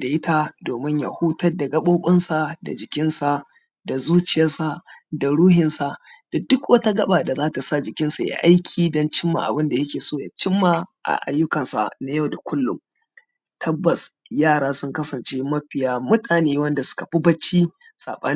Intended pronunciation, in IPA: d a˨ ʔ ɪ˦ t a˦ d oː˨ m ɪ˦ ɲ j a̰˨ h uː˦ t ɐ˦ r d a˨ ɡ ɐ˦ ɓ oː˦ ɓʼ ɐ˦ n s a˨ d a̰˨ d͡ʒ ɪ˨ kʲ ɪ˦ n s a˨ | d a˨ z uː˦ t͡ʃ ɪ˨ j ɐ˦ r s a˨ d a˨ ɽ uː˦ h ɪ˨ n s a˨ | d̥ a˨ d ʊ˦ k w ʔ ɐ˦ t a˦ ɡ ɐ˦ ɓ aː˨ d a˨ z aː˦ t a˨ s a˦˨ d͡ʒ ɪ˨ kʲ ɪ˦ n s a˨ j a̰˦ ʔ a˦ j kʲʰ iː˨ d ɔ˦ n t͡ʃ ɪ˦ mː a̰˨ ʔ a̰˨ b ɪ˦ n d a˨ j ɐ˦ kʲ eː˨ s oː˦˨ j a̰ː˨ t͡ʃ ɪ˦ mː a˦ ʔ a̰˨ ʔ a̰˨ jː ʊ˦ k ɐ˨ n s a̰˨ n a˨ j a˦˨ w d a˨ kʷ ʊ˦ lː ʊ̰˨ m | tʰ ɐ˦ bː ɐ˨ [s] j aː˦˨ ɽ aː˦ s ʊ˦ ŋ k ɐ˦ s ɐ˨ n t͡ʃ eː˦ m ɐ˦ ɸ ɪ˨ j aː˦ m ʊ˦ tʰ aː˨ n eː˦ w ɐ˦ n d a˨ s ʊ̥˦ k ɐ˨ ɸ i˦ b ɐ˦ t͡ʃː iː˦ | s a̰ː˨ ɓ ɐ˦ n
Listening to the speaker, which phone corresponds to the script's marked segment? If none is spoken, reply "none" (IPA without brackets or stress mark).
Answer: s